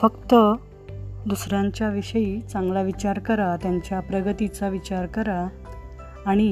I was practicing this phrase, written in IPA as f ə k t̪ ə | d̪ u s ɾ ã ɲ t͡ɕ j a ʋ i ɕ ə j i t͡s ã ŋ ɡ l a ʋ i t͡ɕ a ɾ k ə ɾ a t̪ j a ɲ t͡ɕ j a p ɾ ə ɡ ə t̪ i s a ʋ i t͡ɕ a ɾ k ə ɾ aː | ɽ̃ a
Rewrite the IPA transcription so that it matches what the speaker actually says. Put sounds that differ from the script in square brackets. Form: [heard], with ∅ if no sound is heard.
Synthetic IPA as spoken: f ə k t̪ ə | d̪ u s ɾ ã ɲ t͡ɕ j a ʋ i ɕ ə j i t͡s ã ŋ ɡ l a ʋ i t͡ɕ a ɾ k ə ɾ a t̪ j a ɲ t͡ɕ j a p ɾ ə ɡ ə t̪ i [t͡s] a ʋ i t͡ɕ a ɾ k ə ɾ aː | ɽ̃ [i]